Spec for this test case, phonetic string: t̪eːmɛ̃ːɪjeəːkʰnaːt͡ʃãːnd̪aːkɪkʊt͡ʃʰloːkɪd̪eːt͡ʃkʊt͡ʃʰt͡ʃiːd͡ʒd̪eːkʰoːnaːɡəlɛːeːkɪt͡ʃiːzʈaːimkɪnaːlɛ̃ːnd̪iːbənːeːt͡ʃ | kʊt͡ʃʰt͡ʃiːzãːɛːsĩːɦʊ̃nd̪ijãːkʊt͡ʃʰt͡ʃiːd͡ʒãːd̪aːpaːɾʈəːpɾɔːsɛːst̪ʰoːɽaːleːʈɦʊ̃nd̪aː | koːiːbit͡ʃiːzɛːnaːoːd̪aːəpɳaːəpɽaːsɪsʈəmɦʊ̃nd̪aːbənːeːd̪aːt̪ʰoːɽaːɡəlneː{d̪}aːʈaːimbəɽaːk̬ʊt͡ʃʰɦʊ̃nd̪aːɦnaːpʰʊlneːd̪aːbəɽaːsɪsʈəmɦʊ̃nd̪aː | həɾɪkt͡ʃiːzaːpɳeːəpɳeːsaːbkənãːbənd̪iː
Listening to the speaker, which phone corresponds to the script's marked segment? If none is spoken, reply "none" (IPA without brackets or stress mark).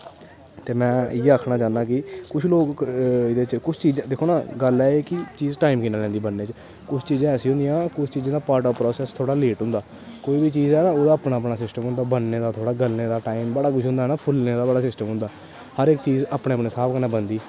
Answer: d̪